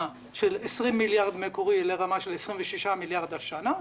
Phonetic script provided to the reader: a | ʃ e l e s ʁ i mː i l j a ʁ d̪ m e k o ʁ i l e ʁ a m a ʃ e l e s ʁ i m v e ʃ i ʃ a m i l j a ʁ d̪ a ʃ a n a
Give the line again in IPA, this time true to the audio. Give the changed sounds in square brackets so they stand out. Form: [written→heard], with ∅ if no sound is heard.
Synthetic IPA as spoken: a | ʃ e l e s ʁ i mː i l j a ʁ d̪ m e k o ʁ i l e ʁ a m a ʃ e l e s ʁ i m v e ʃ i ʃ a m i l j a ʁ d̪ a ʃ a n a